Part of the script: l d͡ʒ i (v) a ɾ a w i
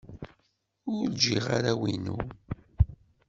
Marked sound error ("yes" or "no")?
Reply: yes